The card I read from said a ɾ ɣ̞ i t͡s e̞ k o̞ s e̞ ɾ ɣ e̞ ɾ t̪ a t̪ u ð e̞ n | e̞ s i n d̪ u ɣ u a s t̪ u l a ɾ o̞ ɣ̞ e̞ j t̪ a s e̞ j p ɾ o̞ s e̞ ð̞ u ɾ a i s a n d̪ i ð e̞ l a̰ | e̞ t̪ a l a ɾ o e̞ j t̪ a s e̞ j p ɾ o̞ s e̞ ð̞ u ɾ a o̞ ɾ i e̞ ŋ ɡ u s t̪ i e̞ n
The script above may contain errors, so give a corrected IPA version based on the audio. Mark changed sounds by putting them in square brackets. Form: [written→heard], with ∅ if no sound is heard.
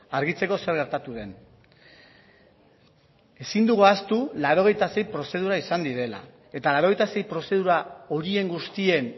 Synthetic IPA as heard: a ɾ ɣ̞ i t͡s e̞ k o̞ s e̞ ɾ ɣ e̞ ɾ t̪ a t̪ u ð e̞ n | e̞ s i n d̪ u ɣ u a s t̪ u l a ɾ o̞ ɣ̞ e̞ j t̪ a s e̞ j p ɾ o̞ s e̞ ð̞ u ɾ a i s a n d̪ i ð e̞ l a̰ | e̞ t̪ a l a ɾ o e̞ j t̪ a s e̞ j p ɾ o̞ s e̞ ð̞ u ɾ a o̞ ɾ i e̞ ŋ ɡ u s t̪ i e̞ n

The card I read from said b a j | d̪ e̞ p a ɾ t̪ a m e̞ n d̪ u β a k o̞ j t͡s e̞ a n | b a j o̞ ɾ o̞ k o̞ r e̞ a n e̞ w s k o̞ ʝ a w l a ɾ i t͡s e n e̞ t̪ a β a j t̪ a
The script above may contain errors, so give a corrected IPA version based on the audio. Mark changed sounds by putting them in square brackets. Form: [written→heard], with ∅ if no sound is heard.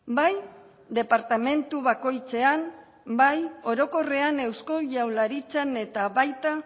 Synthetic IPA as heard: b a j | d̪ e̞ p a ɾ t̪ a m e̞ n [d̪→t̪] u β a k o̞ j t͡s e̞ a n | b a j o̞ ɾ o̞ k o̞ r e̞ a n e̞ w s k o̞ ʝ a w l a ɾ i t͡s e n e̞ t̪ a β a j t̪ a

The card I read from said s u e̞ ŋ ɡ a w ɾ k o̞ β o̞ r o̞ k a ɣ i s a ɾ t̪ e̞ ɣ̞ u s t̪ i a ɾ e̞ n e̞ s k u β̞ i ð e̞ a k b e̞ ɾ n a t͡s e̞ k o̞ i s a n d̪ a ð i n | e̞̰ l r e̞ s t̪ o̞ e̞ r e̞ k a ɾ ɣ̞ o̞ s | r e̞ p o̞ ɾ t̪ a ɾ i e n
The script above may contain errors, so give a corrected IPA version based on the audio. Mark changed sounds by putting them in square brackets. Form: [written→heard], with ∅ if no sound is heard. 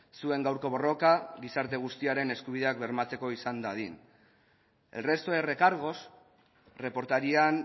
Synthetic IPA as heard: s u e̞ ŋ ɡ a w ɾ k o̞ β o̞ r o̞ k a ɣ i s a ɾ t̪ e̞ ɣ̞ u s t̪ i a ɾ e̞ n e̞ s k u β̞ i ð e̞ a k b e̞ ɾ [n→m] a t͡s e̞ k o̞ i s a n d̪ a ð i n | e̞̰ l r e̞ s t̪ o̞ e̞ r e̞ k a ɾ ɣ̞ o̞ s | r e̞ p o̞ ɾ t̪ a ɾ i [e→a] n

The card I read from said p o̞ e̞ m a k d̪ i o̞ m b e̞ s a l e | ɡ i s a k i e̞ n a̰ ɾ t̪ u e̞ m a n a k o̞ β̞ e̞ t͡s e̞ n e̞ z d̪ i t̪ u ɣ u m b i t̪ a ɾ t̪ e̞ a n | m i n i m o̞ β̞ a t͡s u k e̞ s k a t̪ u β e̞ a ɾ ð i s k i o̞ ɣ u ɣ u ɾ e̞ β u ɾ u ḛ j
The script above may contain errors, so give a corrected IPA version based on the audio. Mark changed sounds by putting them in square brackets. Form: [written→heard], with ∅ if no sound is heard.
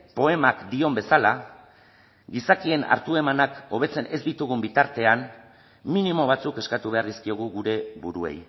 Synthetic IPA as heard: p o̞ e̞ m a k d̪ i o̞ m b e̞ s a l [e→a] | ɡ i s a k i e̞ n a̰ ɾ t̪ u e̞ m a n a k o̞ β̞ e̞ t͡s e̞ n e̞ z d̪ i t̪ u ɣ u m b i t̪ a ɾ t̪ e̞ a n | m i n i m o̞ β̞ a t͡s u k e̞ s k a t̪ u β e̞ a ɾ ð i s k i o̞ ɣ u ɣ u ɾ e̞ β u ɾ u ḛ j

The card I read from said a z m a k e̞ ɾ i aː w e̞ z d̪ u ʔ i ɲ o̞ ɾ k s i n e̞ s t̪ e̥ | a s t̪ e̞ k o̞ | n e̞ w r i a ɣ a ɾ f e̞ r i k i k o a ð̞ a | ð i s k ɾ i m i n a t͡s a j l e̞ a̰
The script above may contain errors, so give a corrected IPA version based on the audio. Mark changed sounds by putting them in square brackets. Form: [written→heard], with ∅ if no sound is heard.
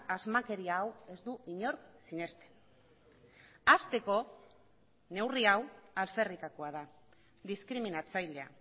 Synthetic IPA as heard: a z m a k e̞ ɾ i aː w e̞ z d̪ u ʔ i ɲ o̞ ɾ k s i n e̞ s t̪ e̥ | a s t̪ e̞ k o̞ | n e̞ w r i a [ɣ→w] a [ɾ→l] f e̞ r i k [i→a] k o a ð̞ a | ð i s k ɾ i m i n a t͡s a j l e̞ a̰

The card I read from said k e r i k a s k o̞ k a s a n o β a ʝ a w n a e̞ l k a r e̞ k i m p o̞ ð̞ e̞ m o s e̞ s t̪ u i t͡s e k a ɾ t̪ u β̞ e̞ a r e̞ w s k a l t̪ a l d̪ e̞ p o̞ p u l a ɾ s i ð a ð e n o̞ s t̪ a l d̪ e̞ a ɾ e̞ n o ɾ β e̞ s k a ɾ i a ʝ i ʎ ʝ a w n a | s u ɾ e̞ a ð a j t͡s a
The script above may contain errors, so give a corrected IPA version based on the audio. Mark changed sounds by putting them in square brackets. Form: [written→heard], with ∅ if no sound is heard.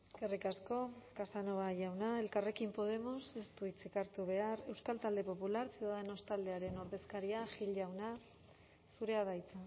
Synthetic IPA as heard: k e r i k a s k o̞ k a s a n o β a ʝ a w n a e̞ l k a r e̞ k i m p o̞ ð̞ e̞ m o s e̞ s t̪ u i t͡s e k a ɾ t̪ u β̞ e̞ a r e̞ w s k a l t̪ a l d̪ e̞ p o̞ p u l a ɾ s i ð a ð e n o̞ s t̪ a l d̪ e̞ a ɾ e̞ n o ɾ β e̞ s k a ɾ i a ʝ i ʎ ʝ a w n a | s u ɾ e̞ a ð a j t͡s a

